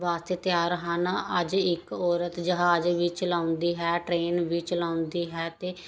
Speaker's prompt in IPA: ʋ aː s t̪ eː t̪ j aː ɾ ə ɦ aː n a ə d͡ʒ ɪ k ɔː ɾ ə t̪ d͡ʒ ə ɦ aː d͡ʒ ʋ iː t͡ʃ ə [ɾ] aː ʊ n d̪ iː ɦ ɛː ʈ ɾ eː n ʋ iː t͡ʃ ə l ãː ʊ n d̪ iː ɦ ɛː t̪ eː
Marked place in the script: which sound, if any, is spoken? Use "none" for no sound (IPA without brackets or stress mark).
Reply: l